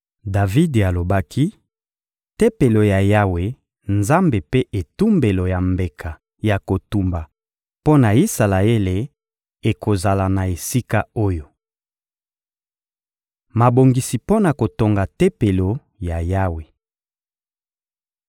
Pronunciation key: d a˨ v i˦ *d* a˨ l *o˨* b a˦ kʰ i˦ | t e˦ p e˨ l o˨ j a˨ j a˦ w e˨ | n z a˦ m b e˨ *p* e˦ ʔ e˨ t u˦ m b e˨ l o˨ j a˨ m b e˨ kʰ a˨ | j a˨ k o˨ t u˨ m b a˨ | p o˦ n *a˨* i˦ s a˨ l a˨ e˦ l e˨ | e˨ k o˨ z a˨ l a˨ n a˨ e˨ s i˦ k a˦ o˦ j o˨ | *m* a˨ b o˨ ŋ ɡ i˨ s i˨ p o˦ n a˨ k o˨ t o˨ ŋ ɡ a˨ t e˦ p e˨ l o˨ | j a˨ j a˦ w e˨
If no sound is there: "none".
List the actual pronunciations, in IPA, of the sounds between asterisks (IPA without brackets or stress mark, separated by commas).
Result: d, o˨, p, a˨, m